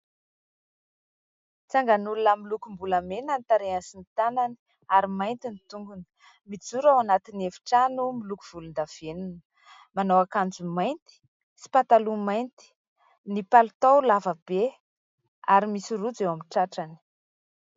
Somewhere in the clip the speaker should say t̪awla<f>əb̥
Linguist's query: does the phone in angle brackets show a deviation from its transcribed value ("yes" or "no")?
yes